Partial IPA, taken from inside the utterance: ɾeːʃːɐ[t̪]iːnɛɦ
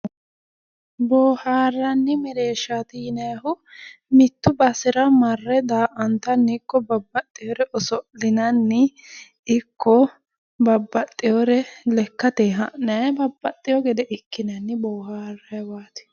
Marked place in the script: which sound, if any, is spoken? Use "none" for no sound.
t̪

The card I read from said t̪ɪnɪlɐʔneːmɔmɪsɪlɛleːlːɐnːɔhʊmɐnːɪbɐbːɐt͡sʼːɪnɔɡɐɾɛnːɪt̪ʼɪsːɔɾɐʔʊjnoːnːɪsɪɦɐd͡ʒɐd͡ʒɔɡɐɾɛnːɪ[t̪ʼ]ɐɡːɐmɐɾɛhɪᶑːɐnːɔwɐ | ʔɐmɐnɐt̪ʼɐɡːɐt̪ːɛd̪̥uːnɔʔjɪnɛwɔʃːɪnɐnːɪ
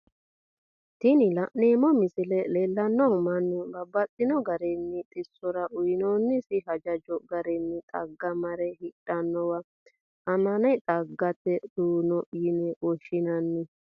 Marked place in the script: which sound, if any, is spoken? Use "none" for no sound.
t̪ʼ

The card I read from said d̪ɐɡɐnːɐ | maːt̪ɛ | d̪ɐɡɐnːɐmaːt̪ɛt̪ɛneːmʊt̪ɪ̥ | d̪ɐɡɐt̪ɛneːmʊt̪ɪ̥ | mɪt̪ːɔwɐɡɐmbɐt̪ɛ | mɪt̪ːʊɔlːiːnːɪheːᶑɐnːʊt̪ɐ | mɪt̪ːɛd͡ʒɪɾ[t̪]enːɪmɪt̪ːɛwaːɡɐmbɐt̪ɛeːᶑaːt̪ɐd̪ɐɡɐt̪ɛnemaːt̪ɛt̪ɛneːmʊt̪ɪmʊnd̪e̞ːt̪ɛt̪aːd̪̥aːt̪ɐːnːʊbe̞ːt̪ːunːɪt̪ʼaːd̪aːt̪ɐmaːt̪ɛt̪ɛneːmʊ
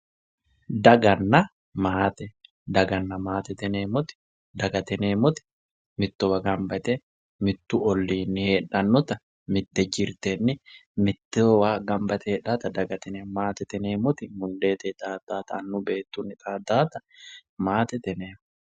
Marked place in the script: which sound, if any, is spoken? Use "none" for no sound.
t̪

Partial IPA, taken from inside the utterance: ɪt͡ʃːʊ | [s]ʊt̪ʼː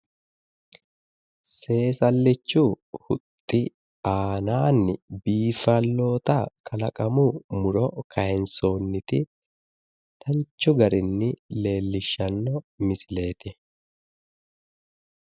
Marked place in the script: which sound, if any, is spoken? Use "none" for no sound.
h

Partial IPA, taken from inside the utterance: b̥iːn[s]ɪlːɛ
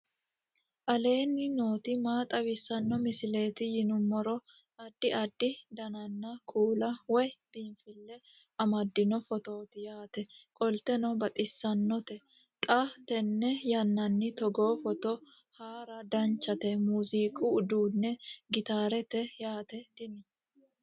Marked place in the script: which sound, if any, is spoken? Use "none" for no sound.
f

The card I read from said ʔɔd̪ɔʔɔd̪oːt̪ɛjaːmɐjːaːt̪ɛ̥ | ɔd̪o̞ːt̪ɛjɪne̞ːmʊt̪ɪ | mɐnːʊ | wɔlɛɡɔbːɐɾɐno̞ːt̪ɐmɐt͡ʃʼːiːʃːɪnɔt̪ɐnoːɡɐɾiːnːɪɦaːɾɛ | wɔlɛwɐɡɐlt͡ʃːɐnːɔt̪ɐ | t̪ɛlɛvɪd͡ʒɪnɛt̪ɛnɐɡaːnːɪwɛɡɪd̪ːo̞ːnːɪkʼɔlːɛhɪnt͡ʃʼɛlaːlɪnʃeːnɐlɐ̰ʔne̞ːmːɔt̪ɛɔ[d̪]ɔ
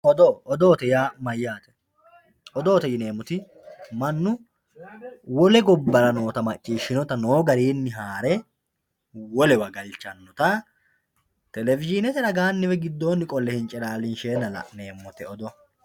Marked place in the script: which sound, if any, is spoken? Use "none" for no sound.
d̪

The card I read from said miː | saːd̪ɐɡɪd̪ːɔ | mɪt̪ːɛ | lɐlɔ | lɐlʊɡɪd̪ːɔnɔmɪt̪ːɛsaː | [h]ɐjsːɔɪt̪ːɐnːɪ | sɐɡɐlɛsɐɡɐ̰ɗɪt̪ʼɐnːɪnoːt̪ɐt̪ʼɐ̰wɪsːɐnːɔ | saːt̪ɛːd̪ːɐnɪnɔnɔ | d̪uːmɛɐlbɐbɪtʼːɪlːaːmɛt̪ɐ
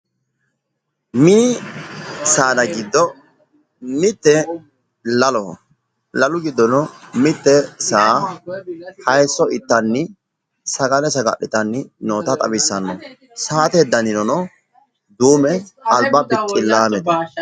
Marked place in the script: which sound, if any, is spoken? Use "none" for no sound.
h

